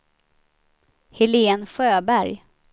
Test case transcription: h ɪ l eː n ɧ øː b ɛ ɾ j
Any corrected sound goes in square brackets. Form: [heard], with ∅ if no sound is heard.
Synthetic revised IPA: h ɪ l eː n ɧ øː b [æ] ɾ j